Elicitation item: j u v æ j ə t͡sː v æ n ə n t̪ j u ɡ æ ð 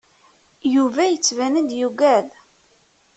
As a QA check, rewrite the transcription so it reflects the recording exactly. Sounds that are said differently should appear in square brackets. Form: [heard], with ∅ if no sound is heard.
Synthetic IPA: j u v æ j ə t͡sː v æ n ə n [d̪] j u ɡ æ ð